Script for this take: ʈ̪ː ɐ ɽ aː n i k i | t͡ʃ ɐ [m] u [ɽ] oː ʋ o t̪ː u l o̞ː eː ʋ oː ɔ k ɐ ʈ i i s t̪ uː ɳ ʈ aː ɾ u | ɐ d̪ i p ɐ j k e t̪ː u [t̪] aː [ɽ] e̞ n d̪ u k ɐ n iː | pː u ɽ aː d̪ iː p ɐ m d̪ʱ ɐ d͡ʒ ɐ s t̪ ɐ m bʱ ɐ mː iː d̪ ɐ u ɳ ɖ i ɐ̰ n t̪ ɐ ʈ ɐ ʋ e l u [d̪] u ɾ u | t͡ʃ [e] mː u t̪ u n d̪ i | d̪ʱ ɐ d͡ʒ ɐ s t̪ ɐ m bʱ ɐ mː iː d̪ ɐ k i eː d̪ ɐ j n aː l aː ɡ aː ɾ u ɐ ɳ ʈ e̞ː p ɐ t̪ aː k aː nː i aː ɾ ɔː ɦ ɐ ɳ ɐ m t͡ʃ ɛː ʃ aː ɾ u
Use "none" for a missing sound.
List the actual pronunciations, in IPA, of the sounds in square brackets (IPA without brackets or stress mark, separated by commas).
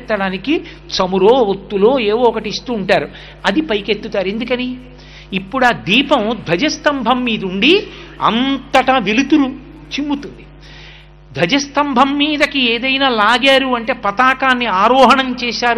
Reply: m, ɾ, t̪, ɾ, t̪, i